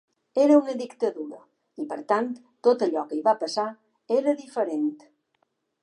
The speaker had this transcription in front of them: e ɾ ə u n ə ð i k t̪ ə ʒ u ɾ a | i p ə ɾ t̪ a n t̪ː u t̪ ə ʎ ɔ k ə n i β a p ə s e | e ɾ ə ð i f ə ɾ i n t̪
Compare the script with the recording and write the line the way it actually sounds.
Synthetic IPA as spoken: e ɾ ə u n ə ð i k t̪ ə ð u ɾ ə | i p ə ɾ t̪ a n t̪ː o t̪ ə ʎ ɔ k ə i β a p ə s a | e ɾ ə ð i f ə ɾ e n t̪